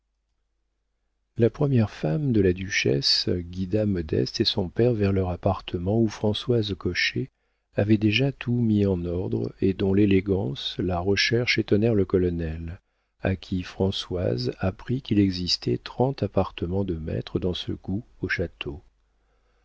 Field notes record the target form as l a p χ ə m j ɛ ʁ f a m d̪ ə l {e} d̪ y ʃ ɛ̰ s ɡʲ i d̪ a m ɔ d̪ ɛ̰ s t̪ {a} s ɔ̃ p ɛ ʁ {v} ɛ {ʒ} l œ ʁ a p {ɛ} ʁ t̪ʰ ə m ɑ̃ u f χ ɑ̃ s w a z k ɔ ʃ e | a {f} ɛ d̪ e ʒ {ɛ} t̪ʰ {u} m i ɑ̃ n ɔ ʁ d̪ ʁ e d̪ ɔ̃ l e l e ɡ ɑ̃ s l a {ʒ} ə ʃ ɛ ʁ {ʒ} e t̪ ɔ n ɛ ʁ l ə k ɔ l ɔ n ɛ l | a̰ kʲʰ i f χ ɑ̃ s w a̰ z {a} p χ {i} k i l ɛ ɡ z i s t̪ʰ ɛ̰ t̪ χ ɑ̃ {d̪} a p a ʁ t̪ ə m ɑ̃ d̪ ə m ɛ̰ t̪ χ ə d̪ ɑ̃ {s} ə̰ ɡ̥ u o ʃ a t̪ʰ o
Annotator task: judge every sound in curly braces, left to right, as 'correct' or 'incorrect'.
incorrect: a, incorrect: e, correct, incorrect: ʁ, incorrect: a, incorrect: v, incorrect: a, correct, incorrect: ʁ, incorrect: ʃ, correct, correct, incorrect: t̪, correct

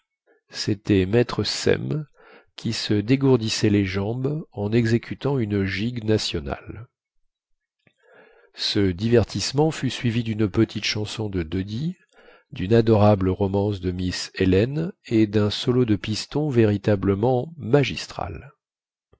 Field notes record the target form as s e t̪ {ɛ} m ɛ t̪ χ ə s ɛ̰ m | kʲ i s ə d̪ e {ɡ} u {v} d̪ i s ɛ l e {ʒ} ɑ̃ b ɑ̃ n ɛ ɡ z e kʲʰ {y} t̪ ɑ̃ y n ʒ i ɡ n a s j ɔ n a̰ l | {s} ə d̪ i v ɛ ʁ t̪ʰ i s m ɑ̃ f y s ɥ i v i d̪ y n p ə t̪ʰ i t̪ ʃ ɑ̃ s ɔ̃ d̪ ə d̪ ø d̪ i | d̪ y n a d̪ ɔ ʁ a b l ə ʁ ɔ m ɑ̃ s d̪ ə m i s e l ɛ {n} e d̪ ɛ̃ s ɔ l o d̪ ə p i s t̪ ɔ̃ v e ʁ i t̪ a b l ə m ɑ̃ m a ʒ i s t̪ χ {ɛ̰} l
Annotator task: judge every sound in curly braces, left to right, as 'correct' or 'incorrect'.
correct, correct, incorrect: ʁ, correct, correct, correct, correct, incorrect: a̰

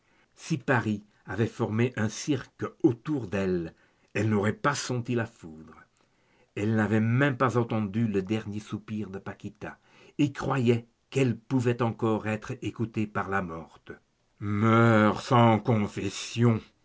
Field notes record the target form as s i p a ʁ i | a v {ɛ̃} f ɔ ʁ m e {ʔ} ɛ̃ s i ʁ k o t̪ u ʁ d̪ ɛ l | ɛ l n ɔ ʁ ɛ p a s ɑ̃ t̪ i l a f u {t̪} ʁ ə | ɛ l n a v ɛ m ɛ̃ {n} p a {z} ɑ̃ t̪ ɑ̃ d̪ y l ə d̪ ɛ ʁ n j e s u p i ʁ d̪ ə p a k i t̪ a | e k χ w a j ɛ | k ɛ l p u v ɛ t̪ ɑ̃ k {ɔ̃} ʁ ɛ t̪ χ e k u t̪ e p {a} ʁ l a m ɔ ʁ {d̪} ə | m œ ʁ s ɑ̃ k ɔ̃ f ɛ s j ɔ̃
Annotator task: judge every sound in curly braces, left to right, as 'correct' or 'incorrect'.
incorrect: ɛ, correct, incorrect: d̪, incorrect: m, correct, incorrect: ɔ, correct, incorrect: t̪

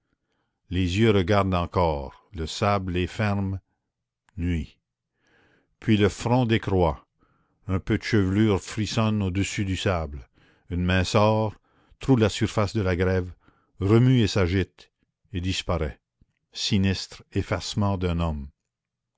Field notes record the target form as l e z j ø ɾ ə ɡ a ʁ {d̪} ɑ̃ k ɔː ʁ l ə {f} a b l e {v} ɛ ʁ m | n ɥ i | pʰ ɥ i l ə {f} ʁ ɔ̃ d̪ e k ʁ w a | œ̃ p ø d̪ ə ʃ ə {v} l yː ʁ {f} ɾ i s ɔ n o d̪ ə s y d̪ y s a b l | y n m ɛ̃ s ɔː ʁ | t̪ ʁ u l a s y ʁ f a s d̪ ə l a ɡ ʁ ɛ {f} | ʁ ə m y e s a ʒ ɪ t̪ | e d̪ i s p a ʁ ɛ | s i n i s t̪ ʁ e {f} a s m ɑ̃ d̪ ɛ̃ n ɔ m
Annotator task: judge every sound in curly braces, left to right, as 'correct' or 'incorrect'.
correct, incorrect: s, incorrect: f, correct, correct, correct, incorrect: v, correct

